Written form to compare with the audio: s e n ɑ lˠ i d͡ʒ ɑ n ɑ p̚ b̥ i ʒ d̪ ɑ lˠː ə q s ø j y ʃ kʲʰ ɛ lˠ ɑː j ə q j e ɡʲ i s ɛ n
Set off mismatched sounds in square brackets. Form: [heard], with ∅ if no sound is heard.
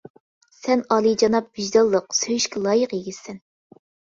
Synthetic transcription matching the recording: s [ɛ] n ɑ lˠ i d͡ʒ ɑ n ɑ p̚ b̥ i ʒ d̪ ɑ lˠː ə q s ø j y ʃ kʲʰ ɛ lˠ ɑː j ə q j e ɡʲ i s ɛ n